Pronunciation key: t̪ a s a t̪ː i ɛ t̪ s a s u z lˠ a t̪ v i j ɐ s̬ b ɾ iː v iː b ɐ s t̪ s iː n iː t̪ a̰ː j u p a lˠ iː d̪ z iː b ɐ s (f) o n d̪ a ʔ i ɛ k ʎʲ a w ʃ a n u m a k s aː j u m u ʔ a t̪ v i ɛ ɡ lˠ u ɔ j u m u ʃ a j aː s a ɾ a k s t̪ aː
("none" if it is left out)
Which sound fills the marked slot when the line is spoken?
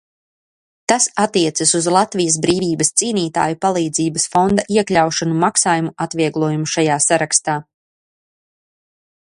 f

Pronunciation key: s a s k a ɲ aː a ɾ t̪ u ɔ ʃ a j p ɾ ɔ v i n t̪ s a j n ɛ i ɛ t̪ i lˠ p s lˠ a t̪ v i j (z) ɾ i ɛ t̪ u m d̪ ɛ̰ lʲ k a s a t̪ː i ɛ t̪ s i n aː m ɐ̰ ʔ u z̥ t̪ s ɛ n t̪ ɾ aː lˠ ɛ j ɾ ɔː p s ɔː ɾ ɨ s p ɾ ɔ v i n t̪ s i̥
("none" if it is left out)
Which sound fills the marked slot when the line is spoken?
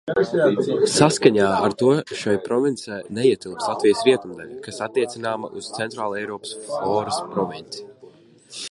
s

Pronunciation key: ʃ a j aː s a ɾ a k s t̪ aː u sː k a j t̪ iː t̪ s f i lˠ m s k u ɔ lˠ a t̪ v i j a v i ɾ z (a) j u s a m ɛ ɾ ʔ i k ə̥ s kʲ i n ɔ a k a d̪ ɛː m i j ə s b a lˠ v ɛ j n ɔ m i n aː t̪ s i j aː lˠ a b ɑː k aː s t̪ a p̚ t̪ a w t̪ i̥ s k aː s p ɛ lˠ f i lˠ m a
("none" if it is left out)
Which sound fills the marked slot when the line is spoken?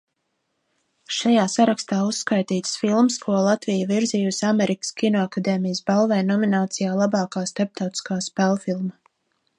i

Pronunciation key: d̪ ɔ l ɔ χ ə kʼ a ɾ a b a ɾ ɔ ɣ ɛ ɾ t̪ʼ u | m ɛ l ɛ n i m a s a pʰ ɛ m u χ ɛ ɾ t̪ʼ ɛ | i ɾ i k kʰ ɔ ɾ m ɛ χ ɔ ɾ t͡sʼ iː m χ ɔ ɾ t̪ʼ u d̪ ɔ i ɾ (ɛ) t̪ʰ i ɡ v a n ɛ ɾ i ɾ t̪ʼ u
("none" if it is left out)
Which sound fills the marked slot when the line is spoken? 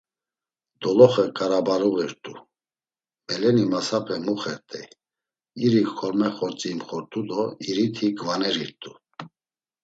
i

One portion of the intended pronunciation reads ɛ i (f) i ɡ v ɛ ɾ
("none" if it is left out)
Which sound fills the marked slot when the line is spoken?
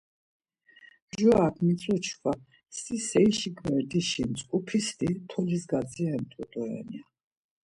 ʃ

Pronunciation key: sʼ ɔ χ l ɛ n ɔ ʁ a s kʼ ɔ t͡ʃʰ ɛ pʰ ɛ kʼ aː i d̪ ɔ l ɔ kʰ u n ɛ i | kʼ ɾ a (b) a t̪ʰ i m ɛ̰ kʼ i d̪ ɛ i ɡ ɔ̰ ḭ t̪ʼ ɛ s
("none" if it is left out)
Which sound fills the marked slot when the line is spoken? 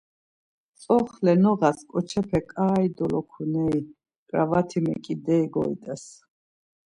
v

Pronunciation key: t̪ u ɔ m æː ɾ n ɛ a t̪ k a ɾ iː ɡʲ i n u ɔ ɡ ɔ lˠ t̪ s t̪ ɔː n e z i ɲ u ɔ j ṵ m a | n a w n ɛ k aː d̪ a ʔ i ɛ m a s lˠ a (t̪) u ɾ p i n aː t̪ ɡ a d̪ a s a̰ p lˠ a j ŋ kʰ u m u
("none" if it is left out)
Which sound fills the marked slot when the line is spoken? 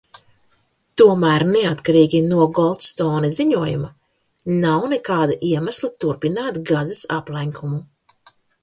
t̪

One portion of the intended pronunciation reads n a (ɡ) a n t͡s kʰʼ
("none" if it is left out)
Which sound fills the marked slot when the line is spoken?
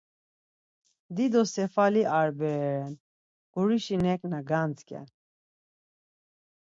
ɡ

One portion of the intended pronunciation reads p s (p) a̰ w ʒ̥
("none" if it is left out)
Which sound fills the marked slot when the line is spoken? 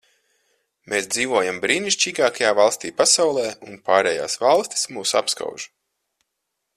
k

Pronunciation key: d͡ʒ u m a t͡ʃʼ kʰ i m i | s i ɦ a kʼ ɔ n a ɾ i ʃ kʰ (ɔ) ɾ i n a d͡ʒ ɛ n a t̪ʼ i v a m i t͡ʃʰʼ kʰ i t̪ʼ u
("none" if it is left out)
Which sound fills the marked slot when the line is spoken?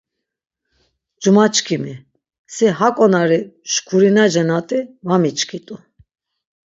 u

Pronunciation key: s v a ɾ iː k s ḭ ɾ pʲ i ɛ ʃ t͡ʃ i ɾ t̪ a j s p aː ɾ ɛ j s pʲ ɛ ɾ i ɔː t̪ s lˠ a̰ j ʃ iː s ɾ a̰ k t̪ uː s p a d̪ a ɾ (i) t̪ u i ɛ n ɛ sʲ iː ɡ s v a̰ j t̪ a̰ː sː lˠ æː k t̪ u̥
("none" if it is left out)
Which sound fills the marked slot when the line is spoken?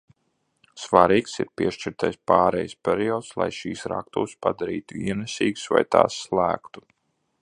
iː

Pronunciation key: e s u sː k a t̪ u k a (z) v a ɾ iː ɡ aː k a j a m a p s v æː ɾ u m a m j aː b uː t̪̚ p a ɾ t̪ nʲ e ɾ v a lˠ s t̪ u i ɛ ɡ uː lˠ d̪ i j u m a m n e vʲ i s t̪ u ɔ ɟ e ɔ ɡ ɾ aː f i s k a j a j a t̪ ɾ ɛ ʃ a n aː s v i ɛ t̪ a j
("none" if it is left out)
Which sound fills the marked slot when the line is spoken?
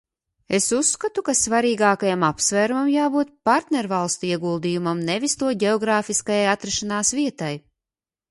s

